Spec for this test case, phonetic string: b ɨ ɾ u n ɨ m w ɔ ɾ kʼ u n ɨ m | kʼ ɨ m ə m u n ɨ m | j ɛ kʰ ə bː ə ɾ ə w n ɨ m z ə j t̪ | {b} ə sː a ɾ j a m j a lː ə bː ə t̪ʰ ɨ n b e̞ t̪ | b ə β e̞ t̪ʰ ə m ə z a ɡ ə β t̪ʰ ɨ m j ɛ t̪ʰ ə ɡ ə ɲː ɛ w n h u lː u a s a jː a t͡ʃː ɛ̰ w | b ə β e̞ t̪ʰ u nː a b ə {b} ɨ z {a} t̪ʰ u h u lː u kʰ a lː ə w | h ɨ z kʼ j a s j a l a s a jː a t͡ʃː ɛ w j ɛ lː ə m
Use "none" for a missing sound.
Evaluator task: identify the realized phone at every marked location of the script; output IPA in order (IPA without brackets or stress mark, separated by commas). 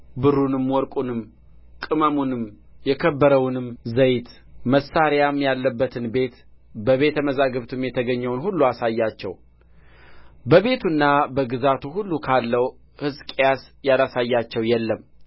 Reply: m, ɡ, a